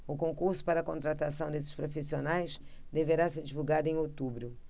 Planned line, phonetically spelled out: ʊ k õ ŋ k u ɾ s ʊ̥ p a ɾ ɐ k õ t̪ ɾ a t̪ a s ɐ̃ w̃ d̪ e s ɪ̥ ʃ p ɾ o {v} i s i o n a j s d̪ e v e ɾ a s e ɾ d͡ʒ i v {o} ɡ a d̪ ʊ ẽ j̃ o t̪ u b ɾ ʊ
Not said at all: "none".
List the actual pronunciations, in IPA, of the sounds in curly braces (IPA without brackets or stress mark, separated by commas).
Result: f, u